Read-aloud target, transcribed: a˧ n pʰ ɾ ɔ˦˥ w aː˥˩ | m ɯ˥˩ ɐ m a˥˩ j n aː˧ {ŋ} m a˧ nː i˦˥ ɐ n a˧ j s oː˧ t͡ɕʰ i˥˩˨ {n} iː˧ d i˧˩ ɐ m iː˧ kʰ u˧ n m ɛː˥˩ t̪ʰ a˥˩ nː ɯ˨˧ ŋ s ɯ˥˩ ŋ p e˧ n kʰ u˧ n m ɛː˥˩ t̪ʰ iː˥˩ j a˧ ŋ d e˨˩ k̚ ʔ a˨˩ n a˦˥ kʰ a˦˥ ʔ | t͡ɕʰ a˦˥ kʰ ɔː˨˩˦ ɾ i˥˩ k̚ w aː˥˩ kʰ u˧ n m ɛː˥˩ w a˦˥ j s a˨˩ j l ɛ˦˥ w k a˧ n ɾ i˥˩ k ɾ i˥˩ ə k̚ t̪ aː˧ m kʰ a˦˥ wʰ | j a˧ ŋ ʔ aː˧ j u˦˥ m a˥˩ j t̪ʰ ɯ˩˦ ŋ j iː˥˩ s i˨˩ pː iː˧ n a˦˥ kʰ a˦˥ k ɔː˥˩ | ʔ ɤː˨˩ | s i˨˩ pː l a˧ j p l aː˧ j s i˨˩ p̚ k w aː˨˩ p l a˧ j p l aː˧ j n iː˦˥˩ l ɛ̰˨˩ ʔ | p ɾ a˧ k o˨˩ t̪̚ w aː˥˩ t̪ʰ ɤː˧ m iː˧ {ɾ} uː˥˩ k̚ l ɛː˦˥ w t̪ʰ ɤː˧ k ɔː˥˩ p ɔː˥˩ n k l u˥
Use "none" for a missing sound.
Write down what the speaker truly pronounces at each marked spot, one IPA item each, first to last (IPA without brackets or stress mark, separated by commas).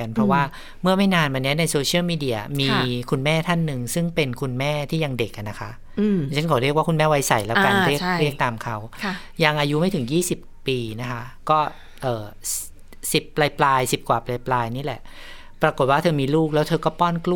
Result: n, m, l